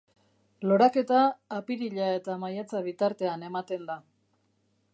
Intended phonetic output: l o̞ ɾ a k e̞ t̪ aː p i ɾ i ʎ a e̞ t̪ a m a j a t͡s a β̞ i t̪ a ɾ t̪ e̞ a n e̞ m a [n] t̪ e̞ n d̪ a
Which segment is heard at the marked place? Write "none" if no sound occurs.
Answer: none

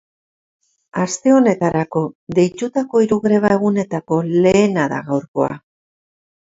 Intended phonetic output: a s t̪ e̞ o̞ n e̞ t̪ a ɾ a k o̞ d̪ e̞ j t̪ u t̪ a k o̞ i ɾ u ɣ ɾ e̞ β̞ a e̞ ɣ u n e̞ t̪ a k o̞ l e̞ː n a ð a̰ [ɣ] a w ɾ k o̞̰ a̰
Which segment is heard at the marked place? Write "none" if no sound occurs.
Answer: ɣ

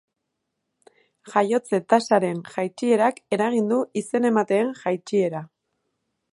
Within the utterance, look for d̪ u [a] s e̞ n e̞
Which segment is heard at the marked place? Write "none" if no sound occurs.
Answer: i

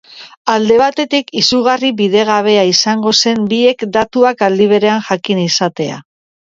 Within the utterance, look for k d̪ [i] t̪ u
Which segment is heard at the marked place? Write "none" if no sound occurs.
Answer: a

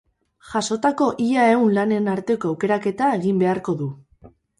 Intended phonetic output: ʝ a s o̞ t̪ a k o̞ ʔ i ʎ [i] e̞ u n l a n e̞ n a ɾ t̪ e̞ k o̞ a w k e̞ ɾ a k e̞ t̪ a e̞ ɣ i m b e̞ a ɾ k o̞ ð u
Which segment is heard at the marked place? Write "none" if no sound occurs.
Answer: a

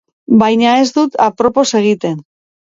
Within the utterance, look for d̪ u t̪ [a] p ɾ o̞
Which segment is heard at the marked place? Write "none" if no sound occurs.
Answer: a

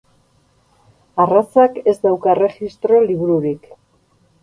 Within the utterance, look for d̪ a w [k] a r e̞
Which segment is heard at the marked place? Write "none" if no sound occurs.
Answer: k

